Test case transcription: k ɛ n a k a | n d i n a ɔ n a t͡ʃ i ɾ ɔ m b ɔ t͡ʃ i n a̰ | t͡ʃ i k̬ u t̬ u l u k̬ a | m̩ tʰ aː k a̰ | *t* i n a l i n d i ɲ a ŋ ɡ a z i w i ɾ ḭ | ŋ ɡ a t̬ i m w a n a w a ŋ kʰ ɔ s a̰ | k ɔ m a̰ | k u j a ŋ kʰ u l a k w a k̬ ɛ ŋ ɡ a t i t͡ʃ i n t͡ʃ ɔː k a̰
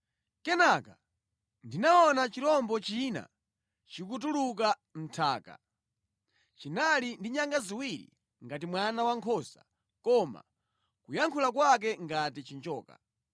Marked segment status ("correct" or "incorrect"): incorrect